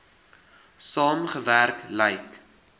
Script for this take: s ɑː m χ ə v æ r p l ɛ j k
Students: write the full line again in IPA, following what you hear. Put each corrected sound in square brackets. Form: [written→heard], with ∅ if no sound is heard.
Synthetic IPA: s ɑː m χ ə v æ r [p→k] l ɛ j k